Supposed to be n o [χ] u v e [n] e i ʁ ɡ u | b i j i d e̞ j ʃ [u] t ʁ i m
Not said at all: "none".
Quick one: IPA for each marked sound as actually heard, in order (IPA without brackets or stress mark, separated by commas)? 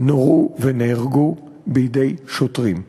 ʁ, n, o